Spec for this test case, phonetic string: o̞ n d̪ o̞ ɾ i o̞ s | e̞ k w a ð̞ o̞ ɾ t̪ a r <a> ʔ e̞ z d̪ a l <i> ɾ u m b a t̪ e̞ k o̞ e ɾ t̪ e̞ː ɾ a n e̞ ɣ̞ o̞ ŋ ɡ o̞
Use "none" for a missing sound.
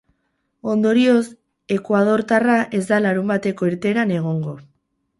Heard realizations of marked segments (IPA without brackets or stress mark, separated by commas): a, a